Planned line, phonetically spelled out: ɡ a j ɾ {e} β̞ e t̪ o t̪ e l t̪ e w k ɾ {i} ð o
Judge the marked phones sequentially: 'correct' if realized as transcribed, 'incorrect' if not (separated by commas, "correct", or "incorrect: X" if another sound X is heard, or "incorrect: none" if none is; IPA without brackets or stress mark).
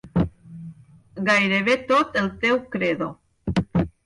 correct, incorrect: e